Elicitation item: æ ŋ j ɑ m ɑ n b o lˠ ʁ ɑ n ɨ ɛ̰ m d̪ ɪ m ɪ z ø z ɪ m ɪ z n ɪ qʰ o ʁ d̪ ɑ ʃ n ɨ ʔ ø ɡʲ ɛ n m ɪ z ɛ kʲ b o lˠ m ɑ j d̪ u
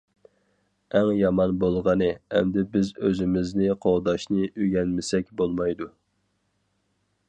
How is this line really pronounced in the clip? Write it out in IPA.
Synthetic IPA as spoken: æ ŋ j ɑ m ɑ n b o lˠ ʁ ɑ n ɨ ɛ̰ m d̪ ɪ b ɪ z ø z ɪ m ɪ z n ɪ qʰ o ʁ d̪ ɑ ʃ n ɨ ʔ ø ɡʲ ɛ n m ɪ s ɛ kʲ b o lˠ m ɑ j d̪ u